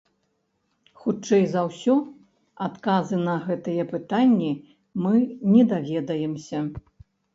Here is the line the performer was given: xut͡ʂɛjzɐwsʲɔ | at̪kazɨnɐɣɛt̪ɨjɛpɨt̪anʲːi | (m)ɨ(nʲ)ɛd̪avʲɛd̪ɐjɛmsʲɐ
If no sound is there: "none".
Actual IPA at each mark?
m, nʲ

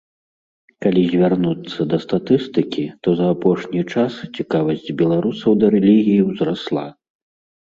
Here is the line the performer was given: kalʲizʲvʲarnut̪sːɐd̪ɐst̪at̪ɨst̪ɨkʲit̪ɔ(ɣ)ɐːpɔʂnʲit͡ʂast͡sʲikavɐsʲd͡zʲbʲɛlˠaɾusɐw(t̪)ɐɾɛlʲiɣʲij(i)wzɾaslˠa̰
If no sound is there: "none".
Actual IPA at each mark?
z, d̪, i

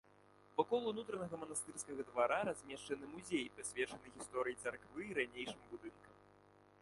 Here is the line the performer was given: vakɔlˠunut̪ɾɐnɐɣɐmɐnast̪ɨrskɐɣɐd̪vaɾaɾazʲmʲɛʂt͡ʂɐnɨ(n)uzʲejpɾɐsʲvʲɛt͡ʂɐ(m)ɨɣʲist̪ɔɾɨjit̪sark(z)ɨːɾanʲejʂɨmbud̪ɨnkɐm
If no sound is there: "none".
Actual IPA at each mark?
m, n, v

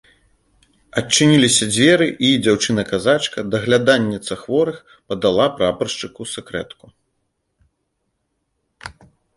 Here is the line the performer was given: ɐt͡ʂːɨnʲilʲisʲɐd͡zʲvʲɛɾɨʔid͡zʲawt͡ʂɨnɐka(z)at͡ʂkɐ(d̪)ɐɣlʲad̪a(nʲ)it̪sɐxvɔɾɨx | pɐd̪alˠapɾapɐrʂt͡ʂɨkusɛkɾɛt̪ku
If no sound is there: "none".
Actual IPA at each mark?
z, d̪, nʲː

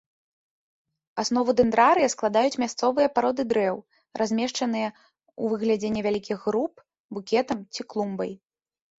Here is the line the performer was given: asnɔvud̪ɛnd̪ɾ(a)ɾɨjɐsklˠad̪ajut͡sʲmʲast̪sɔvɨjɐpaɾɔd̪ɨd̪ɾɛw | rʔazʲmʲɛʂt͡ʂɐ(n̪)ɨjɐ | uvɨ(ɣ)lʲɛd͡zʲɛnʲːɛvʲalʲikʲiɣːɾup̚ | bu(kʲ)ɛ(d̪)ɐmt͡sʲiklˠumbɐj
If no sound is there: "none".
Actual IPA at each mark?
a, n̪, ɣ, kʲ, t̪

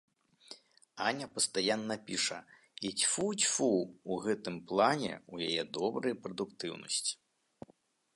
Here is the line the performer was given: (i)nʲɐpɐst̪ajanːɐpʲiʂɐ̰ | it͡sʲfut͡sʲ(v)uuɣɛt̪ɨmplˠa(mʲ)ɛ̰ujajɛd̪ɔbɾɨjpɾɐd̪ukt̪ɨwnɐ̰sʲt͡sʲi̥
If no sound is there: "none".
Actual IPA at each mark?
a, f, nʲ

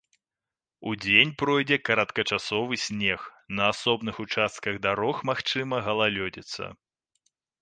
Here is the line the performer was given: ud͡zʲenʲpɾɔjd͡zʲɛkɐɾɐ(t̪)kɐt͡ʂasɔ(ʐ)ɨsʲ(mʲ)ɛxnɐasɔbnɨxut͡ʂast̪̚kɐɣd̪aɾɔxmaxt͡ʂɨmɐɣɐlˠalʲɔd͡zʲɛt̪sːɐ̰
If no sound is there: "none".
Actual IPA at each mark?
t̪, v, nʲ

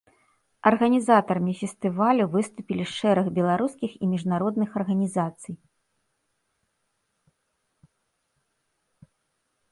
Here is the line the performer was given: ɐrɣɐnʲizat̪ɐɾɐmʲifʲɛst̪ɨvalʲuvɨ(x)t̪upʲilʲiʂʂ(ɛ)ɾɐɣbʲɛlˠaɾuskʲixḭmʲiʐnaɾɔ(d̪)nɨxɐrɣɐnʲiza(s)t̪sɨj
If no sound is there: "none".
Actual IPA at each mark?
s, ɛ, d̪, none

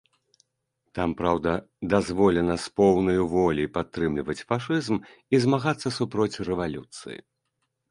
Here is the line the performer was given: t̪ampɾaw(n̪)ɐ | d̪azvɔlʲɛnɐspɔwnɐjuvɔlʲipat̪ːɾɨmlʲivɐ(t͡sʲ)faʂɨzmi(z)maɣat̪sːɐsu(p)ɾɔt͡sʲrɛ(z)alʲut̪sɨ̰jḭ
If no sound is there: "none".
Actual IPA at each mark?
d̪, t͡sʲ, z, p, v

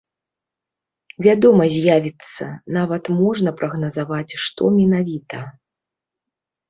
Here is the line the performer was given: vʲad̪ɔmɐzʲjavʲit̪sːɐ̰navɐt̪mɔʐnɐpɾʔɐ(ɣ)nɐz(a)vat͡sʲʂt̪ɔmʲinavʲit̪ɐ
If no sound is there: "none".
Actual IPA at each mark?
ɣ, a

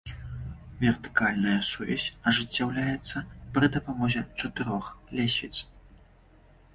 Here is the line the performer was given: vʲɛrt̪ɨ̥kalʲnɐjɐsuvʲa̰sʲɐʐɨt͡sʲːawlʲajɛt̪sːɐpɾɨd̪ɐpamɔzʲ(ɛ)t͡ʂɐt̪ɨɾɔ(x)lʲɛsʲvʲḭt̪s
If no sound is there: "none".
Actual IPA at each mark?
ɛ, x

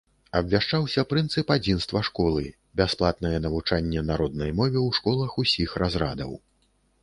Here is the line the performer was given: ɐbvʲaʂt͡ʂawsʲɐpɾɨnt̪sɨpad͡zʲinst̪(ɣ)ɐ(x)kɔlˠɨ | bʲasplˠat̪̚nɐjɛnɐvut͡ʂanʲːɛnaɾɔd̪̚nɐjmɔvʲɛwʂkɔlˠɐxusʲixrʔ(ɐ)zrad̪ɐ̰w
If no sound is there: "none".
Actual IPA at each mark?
v, ʂ, a

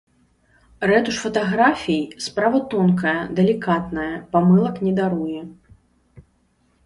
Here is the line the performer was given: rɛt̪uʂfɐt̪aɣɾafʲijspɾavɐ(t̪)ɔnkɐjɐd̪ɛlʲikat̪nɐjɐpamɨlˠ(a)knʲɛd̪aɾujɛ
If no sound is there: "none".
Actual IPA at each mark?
t̪, ɐ

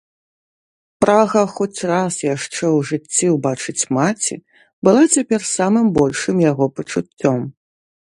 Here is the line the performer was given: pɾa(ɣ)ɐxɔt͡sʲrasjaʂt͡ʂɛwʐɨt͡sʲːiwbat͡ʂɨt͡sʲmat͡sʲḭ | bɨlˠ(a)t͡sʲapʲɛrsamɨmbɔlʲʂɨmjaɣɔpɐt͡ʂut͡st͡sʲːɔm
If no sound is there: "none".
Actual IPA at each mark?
ɣ, a

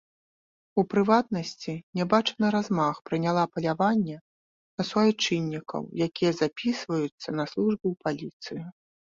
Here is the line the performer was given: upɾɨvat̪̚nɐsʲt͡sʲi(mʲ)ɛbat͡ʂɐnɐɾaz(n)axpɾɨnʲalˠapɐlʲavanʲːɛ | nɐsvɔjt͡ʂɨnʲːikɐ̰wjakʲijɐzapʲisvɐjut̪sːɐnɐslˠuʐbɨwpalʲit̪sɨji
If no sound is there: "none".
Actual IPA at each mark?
nʲ, m

